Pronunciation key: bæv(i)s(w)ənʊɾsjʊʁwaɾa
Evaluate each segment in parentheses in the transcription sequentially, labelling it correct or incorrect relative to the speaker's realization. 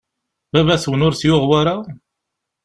incorrect: æ, correct

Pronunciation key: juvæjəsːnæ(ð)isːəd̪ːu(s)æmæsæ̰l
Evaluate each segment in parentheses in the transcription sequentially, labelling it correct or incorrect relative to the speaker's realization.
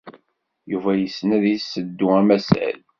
correct, incorrect: none

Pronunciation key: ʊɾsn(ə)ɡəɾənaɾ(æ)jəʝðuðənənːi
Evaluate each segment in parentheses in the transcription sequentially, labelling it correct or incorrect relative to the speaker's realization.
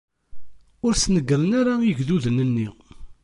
correct, incorrect: a

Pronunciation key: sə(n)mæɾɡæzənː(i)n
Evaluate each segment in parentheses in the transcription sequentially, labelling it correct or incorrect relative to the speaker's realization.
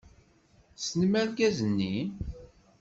correct, correct

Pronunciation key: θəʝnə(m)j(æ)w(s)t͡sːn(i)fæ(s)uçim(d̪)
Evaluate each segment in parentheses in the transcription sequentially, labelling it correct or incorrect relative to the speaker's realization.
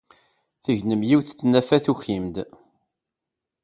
correct, incorrect: i, incorrect: θ, incorrect: æ, incorrect: θ, correct

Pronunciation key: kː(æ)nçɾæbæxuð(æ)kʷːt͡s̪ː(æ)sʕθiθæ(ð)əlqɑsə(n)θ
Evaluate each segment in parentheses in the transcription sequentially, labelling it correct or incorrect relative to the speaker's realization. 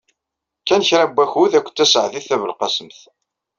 correct, correct, correct, incorrect: v, incorrect: m

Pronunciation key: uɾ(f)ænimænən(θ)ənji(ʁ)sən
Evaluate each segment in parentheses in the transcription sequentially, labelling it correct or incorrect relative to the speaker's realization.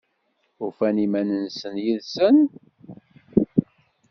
correct, incorrect: s, incorrect: ð

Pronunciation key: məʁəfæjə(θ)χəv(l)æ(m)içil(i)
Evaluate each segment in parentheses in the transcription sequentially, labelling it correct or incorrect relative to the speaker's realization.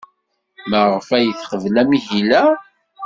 correct, correct, correct, incorrect: æ

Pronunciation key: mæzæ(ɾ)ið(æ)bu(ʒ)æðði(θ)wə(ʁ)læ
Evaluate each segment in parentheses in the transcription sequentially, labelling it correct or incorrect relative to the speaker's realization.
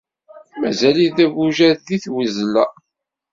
incorrect: l, correct, correct, correct, incorrect: z

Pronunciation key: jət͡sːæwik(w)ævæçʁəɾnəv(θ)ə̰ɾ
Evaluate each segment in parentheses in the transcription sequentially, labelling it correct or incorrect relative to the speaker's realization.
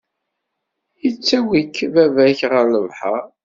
incorrect: v, incorrect: ħ

